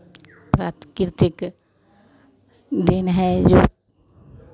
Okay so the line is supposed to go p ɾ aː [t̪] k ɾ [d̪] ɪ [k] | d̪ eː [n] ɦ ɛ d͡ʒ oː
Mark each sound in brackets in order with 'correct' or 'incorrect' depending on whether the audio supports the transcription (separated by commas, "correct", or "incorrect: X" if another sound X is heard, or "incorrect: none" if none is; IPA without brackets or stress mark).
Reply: correct, incorrect: t̪, correct, correct